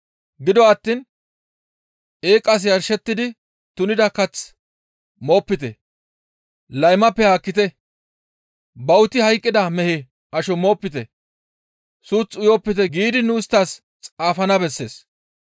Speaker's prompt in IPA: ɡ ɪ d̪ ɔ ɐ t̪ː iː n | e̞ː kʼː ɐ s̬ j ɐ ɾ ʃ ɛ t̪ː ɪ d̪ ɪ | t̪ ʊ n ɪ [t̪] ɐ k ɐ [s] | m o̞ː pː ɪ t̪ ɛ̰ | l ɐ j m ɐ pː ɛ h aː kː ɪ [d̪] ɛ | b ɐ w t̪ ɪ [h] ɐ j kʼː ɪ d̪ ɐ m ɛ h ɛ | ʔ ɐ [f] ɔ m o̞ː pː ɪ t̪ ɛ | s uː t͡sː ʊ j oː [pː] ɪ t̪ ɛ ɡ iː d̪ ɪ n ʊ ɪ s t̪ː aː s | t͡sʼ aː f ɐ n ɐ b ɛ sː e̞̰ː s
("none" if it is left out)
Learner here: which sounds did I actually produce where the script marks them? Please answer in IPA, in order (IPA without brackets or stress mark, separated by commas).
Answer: d̪, t͡s, t̪, h, ʃ, pː